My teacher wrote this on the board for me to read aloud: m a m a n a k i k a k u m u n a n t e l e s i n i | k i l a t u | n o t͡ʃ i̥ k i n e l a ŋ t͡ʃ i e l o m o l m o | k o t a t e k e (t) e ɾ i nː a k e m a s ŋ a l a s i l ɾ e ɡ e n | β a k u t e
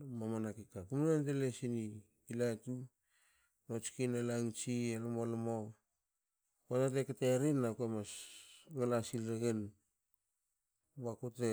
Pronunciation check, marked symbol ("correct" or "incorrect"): correct